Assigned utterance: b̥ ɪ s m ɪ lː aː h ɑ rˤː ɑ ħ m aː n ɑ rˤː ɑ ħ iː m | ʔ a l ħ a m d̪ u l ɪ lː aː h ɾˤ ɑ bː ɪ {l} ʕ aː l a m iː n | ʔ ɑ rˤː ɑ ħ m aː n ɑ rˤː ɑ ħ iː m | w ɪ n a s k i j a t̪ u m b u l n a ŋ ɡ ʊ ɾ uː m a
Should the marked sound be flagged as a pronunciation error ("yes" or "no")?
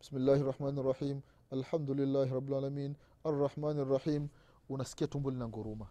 no